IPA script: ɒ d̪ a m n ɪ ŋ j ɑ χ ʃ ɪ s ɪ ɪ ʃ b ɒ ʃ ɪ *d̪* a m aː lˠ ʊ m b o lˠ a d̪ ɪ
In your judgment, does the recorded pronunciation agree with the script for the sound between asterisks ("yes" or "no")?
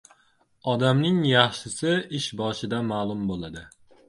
yes